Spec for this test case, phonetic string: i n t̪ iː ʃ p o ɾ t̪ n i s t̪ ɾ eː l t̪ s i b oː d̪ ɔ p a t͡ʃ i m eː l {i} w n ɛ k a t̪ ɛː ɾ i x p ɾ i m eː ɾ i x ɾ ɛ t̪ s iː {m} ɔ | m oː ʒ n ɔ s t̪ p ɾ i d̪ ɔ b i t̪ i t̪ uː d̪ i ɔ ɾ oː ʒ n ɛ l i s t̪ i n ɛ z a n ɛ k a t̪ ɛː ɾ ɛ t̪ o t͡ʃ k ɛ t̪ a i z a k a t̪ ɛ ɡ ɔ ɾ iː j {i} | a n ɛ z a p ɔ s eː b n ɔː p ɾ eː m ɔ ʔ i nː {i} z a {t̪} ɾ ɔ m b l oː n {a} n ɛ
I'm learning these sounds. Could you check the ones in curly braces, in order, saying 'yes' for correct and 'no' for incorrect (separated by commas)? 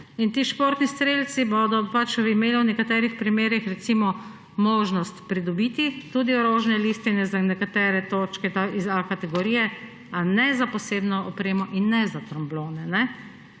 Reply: yes, yes, no, no, yes, no